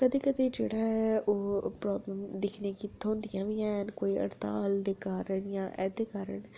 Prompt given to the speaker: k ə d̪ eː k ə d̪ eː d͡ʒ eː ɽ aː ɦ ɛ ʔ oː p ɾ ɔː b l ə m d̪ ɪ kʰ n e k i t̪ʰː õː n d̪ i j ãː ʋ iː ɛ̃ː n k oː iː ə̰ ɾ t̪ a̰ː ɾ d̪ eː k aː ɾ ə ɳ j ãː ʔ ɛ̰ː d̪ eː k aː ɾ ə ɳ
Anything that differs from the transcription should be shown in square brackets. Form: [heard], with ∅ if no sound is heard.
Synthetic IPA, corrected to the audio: k ə d̪ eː k ə d̪ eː d͡ʒ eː ɽ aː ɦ ɛ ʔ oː p ɾ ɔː b l ə m d̪ ɪ kʰ n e k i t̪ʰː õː n d̪ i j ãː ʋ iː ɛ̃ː n k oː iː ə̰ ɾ t̪ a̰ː [l] d̪ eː k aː ɾ ə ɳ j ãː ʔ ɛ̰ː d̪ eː k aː ɾ ə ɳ